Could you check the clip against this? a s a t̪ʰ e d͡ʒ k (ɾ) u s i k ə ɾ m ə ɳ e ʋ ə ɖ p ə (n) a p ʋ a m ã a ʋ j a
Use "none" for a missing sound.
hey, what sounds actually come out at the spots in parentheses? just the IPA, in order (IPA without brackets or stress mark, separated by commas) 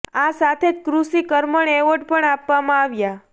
ɾ, ɳ